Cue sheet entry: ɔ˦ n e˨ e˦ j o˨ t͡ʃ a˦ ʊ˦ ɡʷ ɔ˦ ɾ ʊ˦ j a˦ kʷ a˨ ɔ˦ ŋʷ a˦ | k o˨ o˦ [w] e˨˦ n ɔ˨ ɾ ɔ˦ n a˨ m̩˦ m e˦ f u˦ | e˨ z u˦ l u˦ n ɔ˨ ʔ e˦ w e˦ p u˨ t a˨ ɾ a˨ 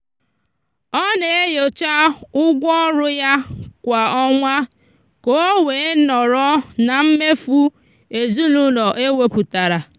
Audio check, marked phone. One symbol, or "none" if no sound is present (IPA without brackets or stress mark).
w